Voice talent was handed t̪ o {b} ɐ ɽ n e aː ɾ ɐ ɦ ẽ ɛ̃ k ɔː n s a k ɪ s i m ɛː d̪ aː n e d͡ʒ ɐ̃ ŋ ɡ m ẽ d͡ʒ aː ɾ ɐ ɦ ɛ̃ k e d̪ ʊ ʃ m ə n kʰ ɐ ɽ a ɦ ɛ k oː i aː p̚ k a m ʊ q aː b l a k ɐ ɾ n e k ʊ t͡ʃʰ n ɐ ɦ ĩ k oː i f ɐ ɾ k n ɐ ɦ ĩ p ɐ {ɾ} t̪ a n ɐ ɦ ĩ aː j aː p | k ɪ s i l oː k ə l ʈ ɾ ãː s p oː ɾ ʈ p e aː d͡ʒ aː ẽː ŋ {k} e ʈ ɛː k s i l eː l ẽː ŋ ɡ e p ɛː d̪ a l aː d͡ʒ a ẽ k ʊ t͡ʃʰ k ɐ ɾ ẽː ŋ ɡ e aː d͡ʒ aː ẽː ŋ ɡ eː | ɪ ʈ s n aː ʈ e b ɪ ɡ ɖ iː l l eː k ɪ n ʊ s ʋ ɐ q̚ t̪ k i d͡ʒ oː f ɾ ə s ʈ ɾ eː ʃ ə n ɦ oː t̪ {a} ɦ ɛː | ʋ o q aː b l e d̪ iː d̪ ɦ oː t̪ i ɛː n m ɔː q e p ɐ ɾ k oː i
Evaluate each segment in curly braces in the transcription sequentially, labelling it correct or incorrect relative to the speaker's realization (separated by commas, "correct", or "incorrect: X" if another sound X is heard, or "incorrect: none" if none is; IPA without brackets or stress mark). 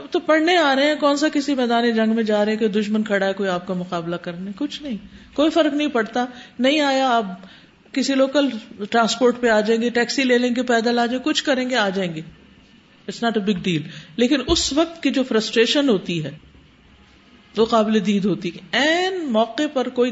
incorrect: p, incorrect: ɽ, incorrect: ɡ, incorrect: i